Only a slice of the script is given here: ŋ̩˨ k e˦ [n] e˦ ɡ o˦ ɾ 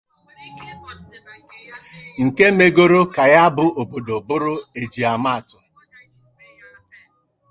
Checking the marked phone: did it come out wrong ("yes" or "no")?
yes